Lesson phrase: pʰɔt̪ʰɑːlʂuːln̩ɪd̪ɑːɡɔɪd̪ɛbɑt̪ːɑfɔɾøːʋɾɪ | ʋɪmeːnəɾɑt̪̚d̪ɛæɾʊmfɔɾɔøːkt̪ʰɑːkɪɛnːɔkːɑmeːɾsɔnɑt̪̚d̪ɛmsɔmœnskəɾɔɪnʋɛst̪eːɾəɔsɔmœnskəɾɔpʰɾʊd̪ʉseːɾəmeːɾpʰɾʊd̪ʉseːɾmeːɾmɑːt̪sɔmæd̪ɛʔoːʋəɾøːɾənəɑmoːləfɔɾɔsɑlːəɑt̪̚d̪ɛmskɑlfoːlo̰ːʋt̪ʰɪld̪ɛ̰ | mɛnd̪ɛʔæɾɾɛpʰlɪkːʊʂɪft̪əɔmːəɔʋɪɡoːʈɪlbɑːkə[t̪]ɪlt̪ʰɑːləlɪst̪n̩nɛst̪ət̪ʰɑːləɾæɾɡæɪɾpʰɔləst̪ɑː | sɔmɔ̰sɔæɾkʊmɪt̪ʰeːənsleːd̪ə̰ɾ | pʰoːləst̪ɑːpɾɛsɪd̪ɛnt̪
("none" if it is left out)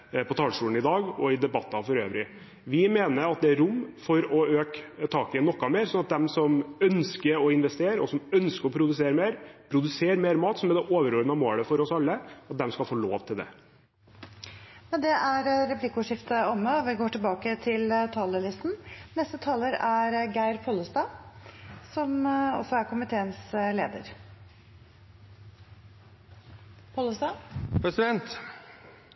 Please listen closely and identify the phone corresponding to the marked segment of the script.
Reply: t̪ʰ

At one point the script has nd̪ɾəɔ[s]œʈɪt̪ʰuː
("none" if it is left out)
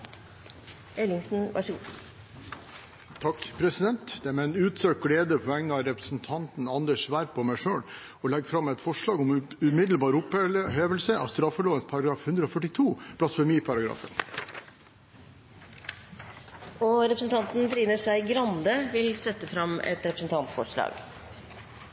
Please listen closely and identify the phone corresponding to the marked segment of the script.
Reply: f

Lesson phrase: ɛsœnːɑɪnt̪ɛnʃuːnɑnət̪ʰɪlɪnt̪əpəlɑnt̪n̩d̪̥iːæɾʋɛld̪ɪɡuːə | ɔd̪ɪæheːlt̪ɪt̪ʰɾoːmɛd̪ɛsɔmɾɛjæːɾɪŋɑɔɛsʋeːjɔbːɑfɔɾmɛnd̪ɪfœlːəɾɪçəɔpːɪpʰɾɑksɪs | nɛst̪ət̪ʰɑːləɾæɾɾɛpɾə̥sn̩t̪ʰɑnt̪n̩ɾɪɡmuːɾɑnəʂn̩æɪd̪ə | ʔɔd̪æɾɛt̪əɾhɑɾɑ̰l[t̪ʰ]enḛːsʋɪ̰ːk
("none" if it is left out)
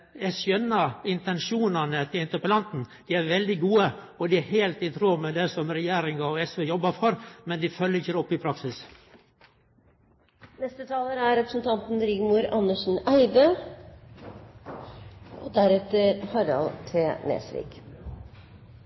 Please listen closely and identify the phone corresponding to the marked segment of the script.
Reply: t̪ʰ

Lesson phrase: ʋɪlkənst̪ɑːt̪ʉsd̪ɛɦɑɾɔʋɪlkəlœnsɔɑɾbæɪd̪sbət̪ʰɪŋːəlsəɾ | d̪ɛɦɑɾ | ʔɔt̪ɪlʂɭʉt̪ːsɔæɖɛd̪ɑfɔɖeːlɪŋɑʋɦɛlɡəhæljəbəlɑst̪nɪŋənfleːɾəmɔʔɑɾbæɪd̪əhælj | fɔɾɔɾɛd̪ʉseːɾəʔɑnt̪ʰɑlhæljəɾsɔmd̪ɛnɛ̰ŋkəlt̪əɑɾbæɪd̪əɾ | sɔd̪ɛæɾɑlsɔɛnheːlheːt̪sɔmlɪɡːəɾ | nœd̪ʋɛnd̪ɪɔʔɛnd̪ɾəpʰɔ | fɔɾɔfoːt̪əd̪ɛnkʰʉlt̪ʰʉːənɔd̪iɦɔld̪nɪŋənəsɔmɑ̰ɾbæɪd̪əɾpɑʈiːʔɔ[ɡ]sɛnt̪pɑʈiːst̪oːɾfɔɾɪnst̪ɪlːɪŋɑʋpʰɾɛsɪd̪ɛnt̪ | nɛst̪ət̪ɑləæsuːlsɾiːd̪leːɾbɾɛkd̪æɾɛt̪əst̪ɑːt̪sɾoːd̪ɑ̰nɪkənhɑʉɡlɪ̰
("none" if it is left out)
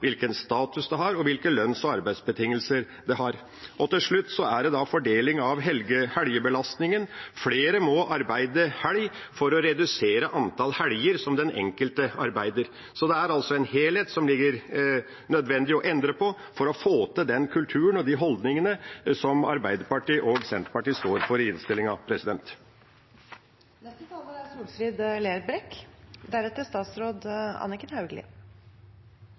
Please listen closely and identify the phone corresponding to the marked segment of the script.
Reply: ɡ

